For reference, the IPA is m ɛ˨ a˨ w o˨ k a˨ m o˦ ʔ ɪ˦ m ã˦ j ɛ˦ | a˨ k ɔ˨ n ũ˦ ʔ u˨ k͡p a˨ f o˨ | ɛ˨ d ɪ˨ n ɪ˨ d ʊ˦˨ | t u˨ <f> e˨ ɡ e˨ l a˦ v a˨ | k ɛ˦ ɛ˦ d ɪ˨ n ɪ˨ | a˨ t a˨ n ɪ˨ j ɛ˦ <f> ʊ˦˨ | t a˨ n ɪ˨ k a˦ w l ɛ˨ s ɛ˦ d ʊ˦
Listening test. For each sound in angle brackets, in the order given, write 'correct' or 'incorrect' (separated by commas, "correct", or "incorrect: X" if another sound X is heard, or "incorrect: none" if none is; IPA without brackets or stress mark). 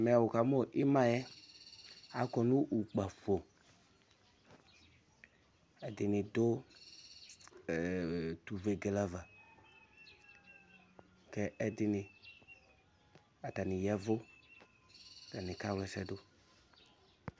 incorrect: v, incorrect: v